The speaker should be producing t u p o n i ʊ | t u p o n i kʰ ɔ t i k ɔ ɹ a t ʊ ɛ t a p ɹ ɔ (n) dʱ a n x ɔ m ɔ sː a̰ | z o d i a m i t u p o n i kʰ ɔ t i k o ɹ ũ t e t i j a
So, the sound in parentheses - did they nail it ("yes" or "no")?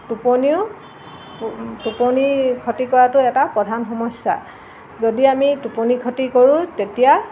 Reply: no